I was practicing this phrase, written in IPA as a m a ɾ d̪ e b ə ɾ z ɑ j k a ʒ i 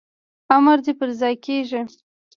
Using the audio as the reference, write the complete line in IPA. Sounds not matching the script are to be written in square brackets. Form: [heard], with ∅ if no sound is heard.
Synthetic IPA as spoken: a m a ɾ d̪ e [p] ə ɾ z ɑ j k [e] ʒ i